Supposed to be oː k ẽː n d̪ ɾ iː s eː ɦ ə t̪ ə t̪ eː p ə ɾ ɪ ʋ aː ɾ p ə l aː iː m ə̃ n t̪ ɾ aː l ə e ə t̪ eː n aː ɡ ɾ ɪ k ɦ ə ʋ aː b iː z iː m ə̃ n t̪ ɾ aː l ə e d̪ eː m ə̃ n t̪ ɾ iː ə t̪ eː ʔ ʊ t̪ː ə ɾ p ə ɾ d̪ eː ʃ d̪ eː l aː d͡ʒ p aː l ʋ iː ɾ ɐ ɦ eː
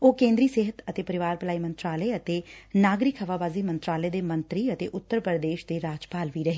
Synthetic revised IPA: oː k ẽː n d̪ ɾ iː s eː ɦ ə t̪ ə t̪ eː p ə ɾ ɪ ʋ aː ɾ p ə l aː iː m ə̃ n t̪ ɾ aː l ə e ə t̪ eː n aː ɡ ɾ ɪ k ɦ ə ʋ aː b aː z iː m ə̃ n t̪ ɾ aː l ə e d̪ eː m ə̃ n t̪ ɾ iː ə t̪ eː ʔ ʊ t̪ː ə ɾ p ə ɾ d̪ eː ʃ d̪ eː ɾ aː d͡ʒ p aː l ʋ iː ɾ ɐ ɦ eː